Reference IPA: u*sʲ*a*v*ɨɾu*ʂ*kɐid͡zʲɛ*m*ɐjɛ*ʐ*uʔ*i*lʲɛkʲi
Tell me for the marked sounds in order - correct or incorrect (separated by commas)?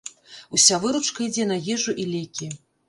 correct, correct, incorrect, incorrect, correct, correct